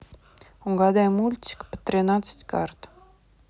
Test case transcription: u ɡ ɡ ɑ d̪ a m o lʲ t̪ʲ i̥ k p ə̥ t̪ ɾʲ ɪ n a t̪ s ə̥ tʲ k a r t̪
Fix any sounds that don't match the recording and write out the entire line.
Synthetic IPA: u ŋ ɡ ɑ d̪ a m u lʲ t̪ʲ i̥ k p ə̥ t̪ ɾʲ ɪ n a t̪ s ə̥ tʲ k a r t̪